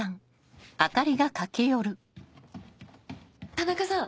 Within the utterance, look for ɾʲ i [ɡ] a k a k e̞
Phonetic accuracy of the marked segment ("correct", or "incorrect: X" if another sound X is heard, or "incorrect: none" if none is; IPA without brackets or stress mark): correct